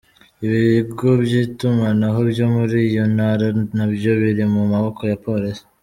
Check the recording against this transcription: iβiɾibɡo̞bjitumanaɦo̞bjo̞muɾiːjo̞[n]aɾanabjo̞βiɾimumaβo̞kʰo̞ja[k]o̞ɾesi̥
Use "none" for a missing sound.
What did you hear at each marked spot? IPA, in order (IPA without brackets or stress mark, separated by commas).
n, p